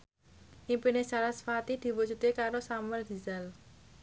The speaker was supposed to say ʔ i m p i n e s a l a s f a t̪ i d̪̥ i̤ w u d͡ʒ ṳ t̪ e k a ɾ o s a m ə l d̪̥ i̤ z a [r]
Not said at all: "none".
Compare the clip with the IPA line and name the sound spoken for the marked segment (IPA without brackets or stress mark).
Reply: l